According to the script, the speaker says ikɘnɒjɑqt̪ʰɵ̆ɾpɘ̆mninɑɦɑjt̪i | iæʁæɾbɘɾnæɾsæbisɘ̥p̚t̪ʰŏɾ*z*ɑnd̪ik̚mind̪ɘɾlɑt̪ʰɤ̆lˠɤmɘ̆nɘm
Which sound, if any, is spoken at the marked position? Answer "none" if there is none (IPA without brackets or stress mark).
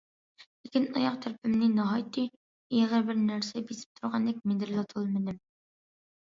ʁ